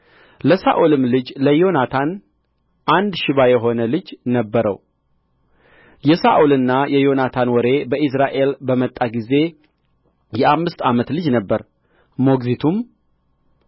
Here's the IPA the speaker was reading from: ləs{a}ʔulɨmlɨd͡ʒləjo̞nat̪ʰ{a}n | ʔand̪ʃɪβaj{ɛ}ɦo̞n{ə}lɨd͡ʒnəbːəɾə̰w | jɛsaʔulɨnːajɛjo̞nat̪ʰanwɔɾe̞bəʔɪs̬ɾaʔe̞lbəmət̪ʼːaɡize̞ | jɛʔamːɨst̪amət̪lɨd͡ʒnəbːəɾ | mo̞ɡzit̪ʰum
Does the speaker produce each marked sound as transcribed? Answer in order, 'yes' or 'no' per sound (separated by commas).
yes, yes, yes, yes